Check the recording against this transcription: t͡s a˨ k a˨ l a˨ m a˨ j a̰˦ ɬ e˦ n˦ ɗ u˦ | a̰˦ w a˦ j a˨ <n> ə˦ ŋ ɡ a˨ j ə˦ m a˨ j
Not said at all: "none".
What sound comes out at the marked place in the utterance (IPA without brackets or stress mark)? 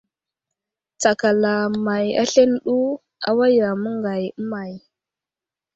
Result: m